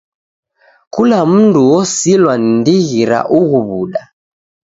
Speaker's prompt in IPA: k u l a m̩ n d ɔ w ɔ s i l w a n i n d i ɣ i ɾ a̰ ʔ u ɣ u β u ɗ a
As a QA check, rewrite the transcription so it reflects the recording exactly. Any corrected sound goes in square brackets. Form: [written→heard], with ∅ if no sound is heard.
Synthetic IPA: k u l a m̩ n d [ɔ→u] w ɔ s i l w a n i n d i ɣ i ɾ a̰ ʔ u ɣ u β u ɗ a

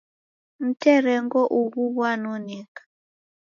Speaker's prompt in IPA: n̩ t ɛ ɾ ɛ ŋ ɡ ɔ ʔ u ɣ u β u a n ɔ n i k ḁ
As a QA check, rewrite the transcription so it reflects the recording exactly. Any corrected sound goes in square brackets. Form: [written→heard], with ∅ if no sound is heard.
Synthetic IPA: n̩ t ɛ ɾ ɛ ŋ ɡ ɔ ʔ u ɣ u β [u→w] a n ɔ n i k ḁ

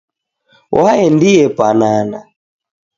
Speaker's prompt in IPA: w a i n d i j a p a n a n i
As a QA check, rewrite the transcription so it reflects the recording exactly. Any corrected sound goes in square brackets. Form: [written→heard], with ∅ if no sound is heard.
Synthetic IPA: w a [i→ɛ] n d i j [a→ɛ] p a n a n [i→a]

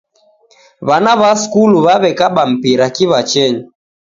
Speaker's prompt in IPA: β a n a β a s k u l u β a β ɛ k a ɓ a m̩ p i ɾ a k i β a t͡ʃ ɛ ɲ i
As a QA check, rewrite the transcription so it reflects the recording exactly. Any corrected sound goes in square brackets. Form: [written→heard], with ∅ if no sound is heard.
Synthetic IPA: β a n a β a s k u l u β a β ɛ k a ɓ a m̩ p i ɾ a k i β a t͡ʃ ɛ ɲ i

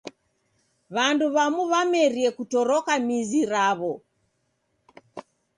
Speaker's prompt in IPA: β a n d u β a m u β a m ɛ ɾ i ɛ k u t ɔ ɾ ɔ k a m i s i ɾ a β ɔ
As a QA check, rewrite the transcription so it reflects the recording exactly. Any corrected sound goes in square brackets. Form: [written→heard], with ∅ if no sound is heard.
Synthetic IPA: β a n d u β a m u β a m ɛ ɾ i ɛ k u t ɔ ɾ ɔ k a m i [s→z] i ɾ a β ɔ

